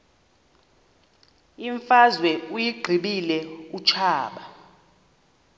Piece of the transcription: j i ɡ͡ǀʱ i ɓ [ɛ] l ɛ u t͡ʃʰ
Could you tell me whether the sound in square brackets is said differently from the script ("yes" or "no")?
yes